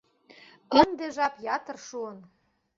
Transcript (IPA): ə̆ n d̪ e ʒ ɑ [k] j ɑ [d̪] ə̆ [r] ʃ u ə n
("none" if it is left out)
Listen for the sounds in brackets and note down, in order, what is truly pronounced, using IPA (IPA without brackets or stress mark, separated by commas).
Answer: p, t̪, r